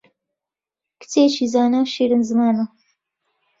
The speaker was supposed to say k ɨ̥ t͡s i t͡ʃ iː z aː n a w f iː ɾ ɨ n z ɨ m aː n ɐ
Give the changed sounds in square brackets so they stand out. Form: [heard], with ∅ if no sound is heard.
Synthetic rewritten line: k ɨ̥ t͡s [e] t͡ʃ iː z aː n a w [ʃ] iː ɾ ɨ n z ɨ m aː n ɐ